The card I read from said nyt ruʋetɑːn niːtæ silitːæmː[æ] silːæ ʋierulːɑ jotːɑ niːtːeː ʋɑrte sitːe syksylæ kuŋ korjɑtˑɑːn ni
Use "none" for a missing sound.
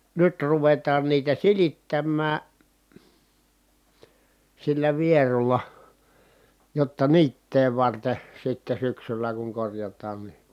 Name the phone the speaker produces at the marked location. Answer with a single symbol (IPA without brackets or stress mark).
æː